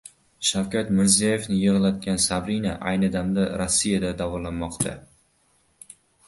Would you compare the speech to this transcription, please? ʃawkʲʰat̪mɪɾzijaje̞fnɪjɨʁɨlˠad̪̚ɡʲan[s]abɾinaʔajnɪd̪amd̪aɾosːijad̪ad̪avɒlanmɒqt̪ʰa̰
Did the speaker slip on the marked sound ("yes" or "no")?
no